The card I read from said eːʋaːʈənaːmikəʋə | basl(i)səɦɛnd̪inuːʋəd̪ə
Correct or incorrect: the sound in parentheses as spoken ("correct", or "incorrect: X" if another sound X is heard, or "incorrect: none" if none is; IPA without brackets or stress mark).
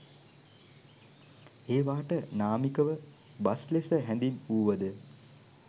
incorrect: e